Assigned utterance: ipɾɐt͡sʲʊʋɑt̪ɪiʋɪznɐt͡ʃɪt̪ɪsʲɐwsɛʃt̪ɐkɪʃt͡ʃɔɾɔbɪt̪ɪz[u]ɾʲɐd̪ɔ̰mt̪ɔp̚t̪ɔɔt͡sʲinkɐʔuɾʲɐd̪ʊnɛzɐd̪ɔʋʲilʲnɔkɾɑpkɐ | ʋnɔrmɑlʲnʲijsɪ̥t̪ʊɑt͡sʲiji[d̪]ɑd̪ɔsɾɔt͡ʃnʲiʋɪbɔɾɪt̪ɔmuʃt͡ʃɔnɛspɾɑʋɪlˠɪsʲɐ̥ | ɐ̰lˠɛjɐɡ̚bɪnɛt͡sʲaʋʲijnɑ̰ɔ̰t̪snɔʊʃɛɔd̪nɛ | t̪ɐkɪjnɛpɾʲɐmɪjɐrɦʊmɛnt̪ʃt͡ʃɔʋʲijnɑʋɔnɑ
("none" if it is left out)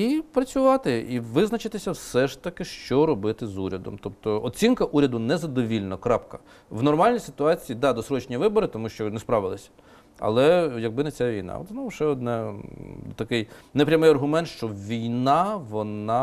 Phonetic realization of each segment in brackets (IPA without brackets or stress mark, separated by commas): u, d̪